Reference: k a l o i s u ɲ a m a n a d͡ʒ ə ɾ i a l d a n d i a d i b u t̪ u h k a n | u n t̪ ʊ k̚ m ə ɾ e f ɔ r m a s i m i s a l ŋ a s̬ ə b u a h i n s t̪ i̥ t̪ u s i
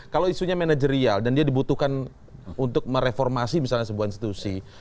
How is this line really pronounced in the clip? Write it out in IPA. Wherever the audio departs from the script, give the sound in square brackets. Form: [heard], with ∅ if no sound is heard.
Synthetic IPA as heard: k a l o i s u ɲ a m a n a d͡ʒ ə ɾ i a l d a n d i a d i b u t̪ u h k a n | u n t̪ ʊ k̚ m ə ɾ e f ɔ r m a s i m i s a l [ɲ] a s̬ ə b u a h i n s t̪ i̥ t̪ u s i

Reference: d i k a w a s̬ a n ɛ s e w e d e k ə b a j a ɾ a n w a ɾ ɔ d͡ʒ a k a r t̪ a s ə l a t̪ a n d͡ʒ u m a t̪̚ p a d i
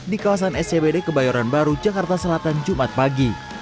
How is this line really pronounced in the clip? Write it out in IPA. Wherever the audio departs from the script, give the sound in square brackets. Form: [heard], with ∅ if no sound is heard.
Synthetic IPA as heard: d i k a w a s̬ a n ɛ s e [b] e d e k ə b a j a ɾ a n [b] a ɾ [u] d͡ʒ a k a r t̪ a s ə l a t̪ a n d͡ʒ u m a t̪̚ p a [ɡ] i

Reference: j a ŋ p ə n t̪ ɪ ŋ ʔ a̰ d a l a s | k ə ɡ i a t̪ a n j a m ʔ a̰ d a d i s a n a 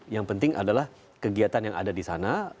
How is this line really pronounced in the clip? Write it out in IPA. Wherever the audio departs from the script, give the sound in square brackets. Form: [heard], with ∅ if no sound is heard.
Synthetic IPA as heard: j a ŋ p ə n t̪ ɪ ŋ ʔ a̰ d a l a [h] | k ə ɡ i a t̪ a n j a [ŋ] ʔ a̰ d a d i s a n a

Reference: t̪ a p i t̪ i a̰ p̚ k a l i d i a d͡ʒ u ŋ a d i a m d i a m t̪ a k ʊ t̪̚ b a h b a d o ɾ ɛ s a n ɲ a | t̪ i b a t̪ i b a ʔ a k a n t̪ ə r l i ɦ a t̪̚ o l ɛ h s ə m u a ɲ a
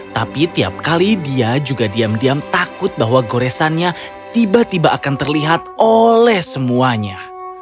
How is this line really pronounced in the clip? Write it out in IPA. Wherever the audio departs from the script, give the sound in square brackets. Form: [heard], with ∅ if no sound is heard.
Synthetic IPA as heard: t̪ a p i t̪ i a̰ p̚ k a l i d i a d͡ʒ u [ɡ] a d i a m d i a m t̪ a k ʊ t̪̚ b a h [w] a [ɡ] o ɾ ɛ s a n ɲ a | t̪ i b a t̪ i b a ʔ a k a n t̪ ə r l i ɦ a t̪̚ o l ɛ h s ə m u a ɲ a

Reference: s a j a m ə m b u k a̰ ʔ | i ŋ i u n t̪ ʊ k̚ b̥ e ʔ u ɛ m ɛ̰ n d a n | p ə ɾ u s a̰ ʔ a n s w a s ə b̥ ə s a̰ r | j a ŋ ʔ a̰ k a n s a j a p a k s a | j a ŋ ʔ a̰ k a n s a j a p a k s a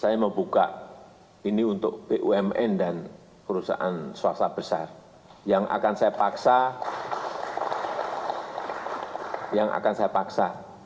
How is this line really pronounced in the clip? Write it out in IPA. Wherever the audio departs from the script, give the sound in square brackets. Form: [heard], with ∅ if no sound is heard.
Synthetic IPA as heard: s a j a m ə m b u k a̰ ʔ | i [n] i u n t̪ ʊ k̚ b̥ e ʔ u ɛ m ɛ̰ n d a n | p ə ɾ u s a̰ ʔ a n s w a s [a] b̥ ə s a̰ r | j a ŋ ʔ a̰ k a n s a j a p a k s a | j a ŋ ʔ a̰ k a n s a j a p a k s a

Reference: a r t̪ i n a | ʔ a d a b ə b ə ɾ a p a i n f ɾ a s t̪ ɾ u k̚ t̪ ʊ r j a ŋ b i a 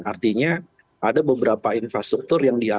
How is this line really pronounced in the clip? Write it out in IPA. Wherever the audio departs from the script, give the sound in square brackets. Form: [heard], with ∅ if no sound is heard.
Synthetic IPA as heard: a r t̪ i [ɲ] a | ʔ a d a b ə b ə ɾ a p a i n f ɾ a s t̪ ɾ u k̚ t̪ ʊ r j a ŋ [d] i a

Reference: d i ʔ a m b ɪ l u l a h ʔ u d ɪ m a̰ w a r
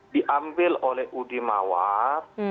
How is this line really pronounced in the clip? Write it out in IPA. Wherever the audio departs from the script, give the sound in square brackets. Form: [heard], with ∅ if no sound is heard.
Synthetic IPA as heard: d i ʔ a m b ɪ l [o] l [ɛ] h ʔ u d [i] m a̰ w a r

